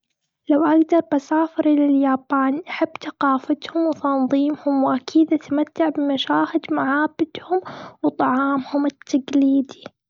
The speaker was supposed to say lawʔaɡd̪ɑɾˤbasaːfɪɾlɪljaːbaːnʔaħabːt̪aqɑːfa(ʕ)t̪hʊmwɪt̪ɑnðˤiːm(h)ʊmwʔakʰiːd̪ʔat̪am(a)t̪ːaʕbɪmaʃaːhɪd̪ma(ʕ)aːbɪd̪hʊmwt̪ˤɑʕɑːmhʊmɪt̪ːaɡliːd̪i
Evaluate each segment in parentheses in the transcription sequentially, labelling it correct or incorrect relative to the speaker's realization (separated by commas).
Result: incorrect, correct, correct, correct